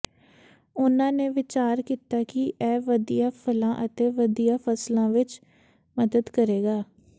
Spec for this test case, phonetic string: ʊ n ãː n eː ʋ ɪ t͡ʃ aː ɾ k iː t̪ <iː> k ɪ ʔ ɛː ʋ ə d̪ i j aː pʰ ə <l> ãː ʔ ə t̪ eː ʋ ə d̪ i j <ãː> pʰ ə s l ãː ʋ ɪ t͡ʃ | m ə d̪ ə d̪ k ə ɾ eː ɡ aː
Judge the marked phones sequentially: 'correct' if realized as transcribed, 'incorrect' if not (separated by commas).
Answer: incorrect, correct, incorrect